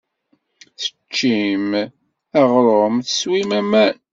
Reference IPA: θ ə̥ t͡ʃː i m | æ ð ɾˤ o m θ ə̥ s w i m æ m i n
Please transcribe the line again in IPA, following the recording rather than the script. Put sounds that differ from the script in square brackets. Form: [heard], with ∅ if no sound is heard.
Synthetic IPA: θ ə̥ t͡ʃː i m | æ [ʁ] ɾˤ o m θ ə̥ s w i m æ m [æ] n